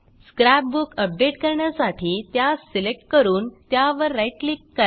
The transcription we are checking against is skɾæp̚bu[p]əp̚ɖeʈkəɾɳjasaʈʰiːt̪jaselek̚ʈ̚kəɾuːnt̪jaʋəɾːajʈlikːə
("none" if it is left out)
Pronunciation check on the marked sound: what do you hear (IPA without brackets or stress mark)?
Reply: k